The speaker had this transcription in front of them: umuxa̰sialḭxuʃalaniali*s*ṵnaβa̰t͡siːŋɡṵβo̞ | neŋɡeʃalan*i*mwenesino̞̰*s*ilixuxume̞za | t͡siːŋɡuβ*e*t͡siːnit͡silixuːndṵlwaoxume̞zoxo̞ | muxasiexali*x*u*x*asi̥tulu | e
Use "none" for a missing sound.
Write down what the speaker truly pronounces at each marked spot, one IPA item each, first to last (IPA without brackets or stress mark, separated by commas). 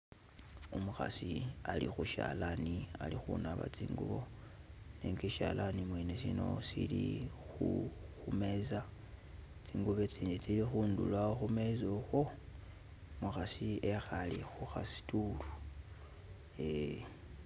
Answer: x, i, s, e, x, x